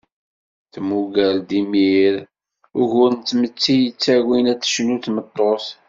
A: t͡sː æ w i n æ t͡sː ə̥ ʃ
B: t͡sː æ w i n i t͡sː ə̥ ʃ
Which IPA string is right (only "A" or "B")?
A